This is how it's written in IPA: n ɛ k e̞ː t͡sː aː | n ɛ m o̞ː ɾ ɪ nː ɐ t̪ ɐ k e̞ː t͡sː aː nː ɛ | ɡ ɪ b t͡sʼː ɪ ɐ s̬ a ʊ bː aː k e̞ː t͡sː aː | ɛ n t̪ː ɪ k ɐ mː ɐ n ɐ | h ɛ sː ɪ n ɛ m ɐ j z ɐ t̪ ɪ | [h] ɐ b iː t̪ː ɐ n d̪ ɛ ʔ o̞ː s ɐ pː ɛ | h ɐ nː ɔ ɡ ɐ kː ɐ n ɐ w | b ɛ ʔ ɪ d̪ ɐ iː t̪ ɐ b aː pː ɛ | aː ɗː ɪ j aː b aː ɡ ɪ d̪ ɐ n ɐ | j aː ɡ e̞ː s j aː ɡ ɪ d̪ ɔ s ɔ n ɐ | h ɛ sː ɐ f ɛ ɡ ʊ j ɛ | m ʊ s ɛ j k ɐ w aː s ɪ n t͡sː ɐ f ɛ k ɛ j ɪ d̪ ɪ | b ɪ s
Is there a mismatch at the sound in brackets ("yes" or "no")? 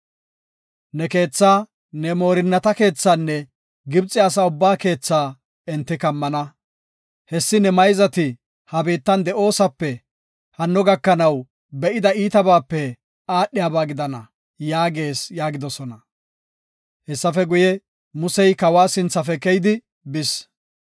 no